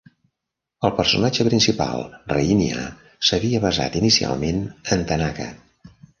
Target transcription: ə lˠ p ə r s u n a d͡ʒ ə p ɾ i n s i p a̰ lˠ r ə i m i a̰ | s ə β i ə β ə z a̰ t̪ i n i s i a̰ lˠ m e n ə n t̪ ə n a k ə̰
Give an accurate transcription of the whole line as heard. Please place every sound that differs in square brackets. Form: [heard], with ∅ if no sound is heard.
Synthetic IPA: ə lˠ p ə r s u n a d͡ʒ ə p ɾ i n s i p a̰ lˠ r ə i [n] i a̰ | s ə β i ə β ə z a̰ t̪ i n i s i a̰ lˠ m e n ə n t̪ ə n a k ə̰